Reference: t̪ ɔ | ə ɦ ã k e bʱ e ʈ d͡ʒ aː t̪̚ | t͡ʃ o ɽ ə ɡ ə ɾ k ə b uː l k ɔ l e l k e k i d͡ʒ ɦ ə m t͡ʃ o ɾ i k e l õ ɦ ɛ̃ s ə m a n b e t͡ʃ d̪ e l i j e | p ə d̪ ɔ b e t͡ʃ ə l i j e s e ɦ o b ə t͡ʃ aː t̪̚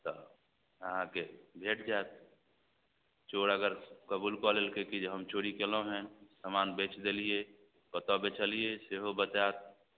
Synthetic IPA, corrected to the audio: t̪ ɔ | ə ɦ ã k e bʱ e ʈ d͡ʒ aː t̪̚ | t͡ʃ o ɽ ə ɡ ə ɾ k ə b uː l k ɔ l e l k e k i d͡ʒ ɦ ə m t͡ʃ o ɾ i k e l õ ɦ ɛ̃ s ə m a n b e t͡ʃ d̪ e l i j e | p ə t̪ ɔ b e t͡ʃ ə l i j e s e ɦ o b ə t͡ʃ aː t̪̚